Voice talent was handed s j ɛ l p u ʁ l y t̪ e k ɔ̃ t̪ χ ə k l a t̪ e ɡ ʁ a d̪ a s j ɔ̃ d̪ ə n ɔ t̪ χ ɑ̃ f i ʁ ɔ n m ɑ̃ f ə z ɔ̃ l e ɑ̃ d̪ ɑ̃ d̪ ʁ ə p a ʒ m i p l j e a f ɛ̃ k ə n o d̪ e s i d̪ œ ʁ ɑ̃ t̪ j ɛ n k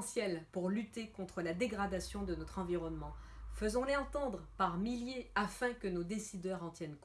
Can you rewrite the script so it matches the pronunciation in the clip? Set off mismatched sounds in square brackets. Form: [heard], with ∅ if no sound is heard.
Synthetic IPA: s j ɛ l p u ʁ l y t̪ e k ɔ̃ t̪ χ ə [∅] l a [d̪] e ɡ ʁ a d̪ a s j ɔ̃ d̪ ə n ɔ t̪ χ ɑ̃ [v] i ʁ ɔ n m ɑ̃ f ə z ɔ̃ l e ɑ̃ [t̪] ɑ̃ d̪ ʁ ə p a [ʁ] m i [∅] l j e a f ɛ̃ k ə n o d̪ e s i d̪ œ ʁ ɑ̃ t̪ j ɛ n k